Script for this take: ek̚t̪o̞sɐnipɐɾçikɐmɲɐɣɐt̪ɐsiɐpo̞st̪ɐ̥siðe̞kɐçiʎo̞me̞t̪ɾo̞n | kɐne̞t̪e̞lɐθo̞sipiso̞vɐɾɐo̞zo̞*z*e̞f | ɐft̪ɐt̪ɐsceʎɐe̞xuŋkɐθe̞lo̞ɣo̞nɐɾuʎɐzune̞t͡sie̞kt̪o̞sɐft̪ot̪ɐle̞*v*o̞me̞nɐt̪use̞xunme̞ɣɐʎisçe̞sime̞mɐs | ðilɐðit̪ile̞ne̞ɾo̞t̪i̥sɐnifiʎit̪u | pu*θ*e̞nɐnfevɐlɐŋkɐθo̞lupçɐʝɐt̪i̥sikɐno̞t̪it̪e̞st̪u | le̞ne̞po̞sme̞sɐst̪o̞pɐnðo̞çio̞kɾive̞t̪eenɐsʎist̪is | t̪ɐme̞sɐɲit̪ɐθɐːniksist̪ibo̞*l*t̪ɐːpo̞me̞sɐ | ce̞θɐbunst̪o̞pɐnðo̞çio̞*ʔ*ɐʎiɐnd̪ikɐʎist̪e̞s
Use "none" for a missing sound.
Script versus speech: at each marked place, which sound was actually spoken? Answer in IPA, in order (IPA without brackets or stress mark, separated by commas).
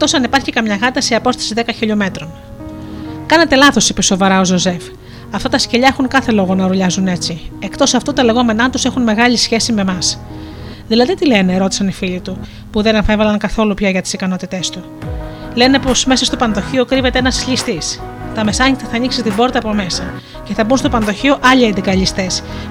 z, ɣ, ð, ɾ, ʔ